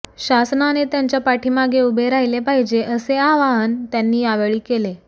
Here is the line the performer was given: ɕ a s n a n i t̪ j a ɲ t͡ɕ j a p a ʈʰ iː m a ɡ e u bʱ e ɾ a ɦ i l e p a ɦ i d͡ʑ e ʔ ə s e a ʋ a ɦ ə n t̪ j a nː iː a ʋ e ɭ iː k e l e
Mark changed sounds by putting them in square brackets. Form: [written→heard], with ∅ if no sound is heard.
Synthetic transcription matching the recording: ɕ a s n a n [i→e] t̪ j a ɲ t͡ɕ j a p a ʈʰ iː m a ɡ e u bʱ e ɾ a ɦ i l e p a ɦ i d͡ʑ e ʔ ə s e a ʋ a ɦ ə n t̪ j a nː iː a ʋ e ɭ iː k e l e